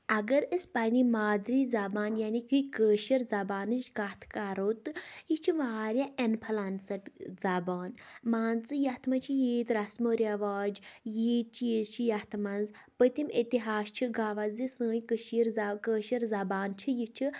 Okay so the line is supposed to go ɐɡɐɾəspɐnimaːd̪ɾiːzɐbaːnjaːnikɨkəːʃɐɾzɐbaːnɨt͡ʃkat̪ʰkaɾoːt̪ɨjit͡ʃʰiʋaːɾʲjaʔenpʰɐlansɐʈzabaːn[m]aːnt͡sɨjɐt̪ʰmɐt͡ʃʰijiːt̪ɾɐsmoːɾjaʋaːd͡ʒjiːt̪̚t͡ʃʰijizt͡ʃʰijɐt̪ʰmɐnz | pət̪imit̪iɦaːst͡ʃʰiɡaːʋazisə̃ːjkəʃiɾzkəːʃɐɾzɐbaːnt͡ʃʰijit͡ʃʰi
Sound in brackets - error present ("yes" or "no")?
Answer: no